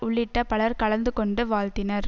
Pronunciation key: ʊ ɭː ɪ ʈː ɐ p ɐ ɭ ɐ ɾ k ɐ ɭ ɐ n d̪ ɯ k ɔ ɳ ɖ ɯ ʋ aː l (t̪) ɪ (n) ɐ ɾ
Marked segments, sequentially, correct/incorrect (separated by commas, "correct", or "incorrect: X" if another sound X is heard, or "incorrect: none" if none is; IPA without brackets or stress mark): correct, correct